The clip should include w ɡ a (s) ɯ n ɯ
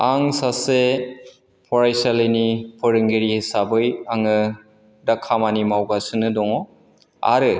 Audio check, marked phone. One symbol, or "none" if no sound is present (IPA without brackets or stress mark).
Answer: s